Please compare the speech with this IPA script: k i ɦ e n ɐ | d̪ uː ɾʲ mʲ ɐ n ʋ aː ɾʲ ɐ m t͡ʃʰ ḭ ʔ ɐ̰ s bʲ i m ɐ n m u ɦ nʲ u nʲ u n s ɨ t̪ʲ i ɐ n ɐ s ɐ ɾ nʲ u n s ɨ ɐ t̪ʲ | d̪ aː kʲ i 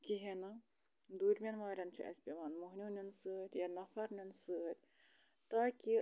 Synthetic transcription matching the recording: k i ɦ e n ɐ | d̪ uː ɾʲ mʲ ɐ n ʋ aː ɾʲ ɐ n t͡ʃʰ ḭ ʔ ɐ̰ s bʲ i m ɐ n m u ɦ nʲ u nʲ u n s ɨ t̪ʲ j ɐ n ɐ f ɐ ɾ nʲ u n s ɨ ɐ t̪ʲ | t̪ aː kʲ i